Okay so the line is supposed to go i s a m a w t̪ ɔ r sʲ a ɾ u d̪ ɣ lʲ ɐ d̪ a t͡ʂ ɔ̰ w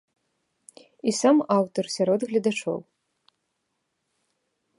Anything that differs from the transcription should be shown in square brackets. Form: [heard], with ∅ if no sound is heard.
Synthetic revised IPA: i s a m a w t̪ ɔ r sʲ a ɾ [ɔ] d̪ ɣ lʲ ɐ d̪ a t͡ʂ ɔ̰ w

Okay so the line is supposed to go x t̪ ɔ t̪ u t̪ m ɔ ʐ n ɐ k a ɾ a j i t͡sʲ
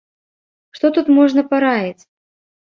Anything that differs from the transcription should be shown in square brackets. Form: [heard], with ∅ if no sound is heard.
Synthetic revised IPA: [ʂ] t̪ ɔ t̪ u t̪ m ɔ ʐ n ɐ [p] a ɾ a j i t͡sʲ

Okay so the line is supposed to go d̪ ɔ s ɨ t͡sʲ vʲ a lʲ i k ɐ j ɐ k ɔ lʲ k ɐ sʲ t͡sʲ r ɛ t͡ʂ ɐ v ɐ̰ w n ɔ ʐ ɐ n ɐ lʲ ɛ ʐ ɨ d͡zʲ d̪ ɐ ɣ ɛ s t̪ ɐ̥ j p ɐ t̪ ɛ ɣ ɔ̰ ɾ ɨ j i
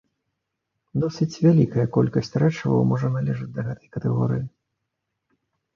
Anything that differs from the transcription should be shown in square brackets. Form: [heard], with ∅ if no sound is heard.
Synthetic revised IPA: d̪ ɔ s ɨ t͡sʲ vʲ a lʲ i k ɐ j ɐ k ɔ lʲ k ɐ sʲ t͡sʲ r ɛ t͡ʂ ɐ v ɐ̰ w [m] ɔ ʐ ɐ n [a] lʲ ɛ ʐ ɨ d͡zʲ d̪ ɐ ɣ ɛ [∅] t̪ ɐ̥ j [k] ɐ t̪ ɛ ɣ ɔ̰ ɾ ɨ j i

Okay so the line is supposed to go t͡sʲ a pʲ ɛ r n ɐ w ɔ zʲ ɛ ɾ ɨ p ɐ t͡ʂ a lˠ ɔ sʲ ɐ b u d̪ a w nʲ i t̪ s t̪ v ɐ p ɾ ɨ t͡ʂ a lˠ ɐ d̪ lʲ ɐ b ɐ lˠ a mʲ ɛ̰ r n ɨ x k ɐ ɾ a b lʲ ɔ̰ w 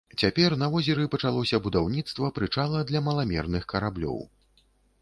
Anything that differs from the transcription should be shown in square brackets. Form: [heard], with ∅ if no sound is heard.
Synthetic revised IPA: t͡sʲ a pʲ ɛ r n ɐ [v] ɔ zʲ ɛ ɾ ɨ p ɐ t͡ʂ a lˠ ɔ sʲ ɐ b u d̪ a w nʲ i t̪ s t̪ v ɐ p ɾ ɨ t͡ʂ a lˠ ɐ d̪ lʲ ɐ [m] ɐ lˠ a mʲ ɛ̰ r n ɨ x k ɐ ɾ a b lʲ ɔ̰ w

